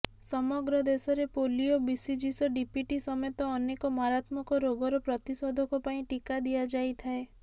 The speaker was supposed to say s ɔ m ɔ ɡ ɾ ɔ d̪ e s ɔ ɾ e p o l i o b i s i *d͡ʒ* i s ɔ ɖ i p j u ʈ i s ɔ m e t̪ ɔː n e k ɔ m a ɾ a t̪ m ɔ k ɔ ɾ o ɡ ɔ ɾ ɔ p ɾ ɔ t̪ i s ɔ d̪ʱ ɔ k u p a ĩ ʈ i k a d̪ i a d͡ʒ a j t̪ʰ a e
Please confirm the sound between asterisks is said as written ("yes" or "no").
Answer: yes